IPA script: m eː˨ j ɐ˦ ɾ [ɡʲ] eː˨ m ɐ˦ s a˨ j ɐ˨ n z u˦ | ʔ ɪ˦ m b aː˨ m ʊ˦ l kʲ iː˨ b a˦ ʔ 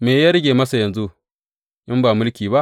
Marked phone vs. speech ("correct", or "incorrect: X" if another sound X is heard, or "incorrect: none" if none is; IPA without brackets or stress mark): correct